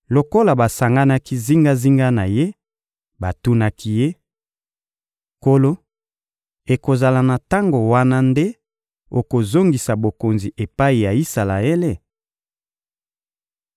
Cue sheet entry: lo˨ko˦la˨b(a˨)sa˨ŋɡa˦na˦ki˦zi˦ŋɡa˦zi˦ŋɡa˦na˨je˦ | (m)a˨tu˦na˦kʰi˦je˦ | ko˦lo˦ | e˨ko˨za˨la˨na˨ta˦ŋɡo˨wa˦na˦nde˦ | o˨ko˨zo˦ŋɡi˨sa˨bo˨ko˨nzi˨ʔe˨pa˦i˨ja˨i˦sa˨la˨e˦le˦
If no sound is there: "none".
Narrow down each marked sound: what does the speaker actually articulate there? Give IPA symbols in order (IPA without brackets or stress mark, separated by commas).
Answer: a˨, b